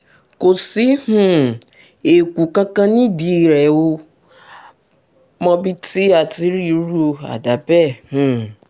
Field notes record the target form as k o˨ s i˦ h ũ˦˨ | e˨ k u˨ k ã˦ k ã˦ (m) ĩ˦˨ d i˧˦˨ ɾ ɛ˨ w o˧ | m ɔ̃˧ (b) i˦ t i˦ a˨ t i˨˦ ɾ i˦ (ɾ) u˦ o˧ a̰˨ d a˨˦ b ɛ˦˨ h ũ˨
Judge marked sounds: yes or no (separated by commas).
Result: no, yes, yes